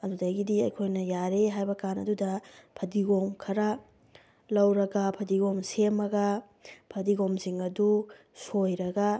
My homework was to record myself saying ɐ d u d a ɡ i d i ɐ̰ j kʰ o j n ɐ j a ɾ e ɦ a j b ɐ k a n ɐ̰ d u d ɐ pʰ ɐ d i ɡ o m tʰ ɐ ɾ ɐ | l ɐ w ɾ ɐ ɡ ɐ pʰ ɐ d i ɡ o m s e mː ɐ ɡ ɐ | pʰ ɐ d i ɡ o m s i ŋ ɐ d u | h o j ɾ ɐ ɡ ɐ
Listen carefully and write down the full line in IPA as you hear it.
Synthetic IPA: ɐ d u d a ɡ i d i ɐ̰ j kʰ o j n ɐ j a ɾ e ɦ a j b ɐ k a n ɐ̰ d u d ɐ pʰ ɐ d i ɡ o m kʰ ɐ ɾ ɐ | l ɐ w ɾ ɐ ɡ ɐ pʰ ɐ d i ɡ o m s e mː ɐ ɡ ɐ | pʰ ɐ d i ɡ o m s i ŋ ɐ d u | s o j ɾ ɐ ɡ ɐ